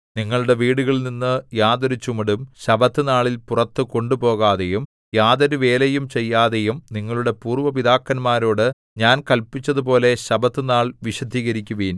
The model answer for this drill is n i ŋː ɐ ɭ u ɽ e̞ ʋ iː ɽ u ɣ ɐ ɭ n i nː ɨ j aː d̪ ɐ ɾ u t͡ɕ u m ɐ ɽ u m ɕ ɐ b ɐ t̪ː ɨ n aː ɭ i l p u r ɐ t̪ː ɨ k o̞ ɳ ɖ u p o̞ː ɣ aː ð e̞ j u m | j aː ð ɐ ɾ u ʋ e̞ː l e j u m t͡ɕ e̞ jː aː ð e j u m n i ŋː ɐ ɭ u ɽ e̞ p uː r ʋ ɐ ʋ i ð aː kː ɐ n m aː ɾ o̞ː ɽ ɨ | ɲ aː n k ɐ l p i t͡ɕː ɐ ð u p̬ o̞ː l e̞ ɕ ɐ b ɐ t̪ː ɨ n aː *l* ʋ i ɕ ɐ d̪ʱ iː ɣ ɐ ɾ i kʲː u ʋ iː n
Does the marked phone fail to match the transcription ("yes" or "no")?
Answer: yes